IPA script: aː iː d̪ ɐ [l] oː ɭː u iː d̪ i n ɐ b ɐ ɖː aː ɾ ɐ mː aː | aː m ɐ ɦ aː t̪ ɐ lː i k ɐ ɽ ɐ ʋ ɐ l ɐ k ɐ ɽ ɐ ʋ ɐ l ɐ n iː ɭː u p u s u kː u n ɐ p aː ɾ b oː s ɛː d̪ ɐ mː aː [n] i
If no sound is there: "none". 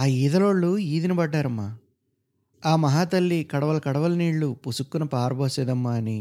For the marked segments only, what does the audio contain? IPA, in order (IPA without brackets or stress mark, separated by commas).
l, n